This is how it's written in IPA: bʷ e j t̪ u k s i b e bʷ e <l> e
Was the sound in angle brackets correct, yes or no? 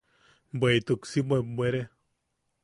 no